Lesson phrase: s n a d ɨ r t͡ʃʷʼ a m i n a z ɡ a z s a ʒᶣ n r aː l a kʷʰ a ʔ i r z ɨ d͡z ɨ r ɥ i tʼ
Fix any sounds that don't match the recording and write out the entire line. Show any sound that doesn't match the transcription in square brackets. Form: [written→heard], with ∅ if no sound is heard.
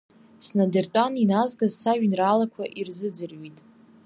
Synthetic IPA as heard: s n a d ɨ r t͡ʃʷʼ a [m→n] i n a z ɡ a z s a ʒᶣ n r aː l a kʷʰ a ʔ i r z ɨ d͡z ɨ r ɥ i tʼ